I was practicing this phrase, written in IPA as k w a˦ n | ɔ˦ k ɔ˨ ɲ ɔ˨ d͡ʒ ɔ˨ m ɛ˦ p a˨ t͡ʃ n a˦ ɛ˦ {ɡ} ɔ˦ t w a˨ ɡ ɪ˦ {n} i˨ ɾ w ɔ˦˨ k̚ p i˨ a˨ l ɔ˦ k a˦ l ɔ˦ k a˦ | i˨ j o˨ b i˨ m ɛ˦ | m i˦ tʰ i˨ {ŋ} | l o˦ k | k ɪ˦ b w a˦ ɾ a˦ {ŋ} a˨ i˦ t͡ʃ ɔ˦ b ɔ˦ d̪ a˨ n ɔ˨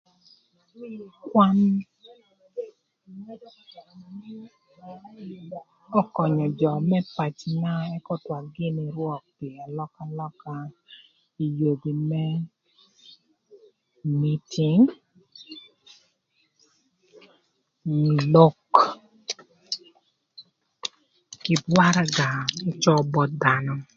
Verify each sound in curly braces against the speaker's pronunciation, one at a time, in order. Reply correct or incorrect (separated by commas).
incorrect, correct, correct, incorrect